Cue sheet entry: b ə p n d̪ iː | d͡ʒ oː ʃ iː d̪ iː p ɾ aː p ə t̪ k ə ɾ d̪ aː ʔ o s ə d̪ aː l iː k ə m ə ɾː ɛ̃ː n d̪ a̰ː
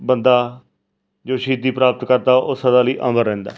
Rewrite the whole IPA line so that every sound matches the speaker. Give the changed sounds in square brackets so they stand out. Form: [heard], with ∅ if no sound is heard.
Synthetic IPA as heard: b ə [∅] n d̪ [aː] | d͡ʒ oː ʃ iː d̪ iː p ɾ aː p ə t̪ k ə ɾ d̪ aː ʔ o s ə d̪ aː l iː [ʔ] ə m ə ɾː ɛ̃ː n d̪ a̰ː